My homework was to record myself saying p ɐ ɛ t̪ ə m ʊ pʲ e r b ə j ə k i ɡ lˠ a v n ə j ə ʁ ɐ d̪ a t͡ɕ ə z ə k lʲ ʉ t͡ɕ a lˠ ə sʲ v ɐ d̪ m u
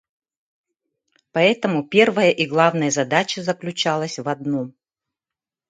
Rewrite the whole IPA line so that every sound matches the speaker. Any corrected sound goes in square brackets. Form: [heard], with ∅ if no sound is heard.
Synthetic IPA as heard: p ɐ ɛ t̪ ə m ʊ pʲ e r [v] ə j ə [ʔ] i ɡ lˠ a v n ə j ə [z] ɐ d̪ a t͡ɕ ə z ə k lʲ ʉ t͡ɕ a lˠ ə sʲ v ɐ d̪ [n] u